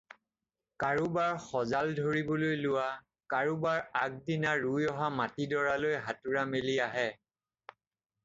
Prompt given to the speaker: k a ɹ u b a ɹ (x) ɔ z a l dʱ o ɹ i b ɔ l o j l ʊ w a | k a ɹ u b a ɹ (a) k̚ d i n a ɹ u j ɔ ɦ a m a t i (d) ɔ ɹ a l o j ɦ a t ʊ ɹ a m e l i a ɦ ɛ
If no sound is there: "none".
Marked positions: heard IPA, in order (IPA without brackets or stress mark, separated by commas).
x, a, d